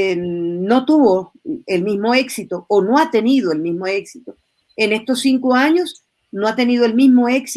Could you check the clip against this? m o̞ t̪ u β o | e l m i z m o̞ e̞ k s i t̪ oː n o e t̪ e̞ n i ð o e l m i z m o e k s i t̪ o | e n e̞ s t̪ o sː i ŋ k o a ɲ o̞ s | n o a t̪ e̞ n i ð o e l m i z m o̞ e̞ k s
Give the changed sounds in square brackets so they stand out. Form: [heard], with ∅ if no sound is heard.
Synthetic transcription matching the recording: [n] o̞ t̪ u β o | e l m i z m o̞ e̞ k s i t̪ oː n o [a] t̪ e̞ n i ð o e l m i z m o e k s i t̪ o | e n e̞ s t̪ o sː i ŋ k o a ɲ o̞ s | n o a t̪ e̞ n i ð o e l m i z m o̞ e̞ k s